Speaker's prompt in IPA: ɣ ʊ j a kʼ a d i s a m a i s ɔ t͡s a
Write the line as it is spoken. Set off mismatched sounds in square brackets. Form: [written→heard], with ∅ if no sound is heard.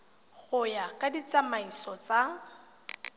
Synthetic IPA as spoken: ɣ ʊ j a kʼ a d i [s→t͡s] a m a i s ɔ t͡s a